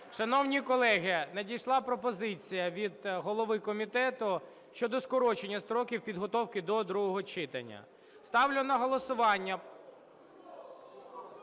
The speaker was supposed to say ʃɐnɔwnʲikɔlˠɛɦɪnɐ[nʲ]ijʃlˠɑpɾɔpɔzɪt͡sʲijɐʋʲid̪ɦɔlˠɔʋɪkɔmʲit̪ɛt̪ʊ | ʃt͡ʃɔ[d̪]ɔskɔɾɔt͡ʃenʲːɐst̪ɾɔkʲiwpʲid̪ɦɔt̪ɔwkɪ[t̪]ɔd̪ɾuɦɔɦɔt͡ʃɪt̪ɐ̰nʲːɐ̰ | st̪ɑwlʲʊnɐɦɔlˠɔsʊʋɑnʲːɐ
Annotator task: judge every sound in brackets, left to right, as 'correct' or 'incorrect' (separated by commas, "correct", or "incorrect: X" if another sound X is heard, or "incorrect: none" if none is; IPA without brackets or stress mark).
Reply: incorrect: dʲ, correct, incorrect: d̪